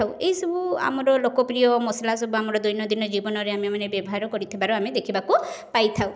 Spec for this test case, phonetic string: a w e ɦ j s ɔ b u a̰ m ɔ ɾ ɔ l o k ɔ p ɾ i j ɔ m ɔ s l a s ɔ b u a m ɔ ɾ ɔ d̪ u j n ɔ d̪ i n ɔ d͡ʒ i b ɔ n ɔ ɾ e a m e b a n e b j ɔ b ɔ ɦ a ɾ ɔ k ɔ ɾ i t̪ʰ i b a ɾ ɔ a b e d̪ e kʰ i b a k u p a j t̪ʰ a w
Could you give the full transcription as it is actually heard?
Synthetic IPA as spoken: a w e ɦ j s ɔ b u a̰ m ɔ ɾ ɔ l o k ɔ p ɾ i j ɔ m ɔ s l a s ɔ b u a m ɔ ɾ ɔ d̪ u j n ɔ d̪ i n ɔ d͡ʒ i b ɔ n ɔ ɾ e a m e m a n e b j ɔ b ɔ ɦ a ɾ ɔ k ɔ ɾ i t̪ʰ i b a ɾ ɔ a m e d̪ e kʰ i b a k u p a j t̪ʰ a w